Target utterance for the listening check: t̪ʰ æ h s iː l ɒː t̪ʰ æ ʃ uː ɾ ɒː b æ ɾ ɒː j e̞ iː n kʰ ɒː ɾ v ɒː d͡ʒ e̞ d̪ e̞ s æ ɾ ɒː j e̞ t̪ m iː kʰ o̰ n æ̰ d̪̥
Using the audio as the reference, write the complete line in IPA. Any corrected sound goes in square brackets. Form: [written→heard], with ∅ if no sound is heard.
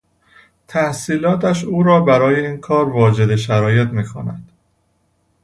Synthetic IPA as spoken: t̪ʰ æ h s iː l ɒː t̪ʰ æ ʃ uː ɾ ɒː b æ ɾ ɒː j e̞ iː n kʰ ɒː ɾ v ɒː d͡ʒ e̞ d̪ e̞ [s→ʃ] æ ɾ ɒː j e̞ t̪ m iː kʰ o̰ n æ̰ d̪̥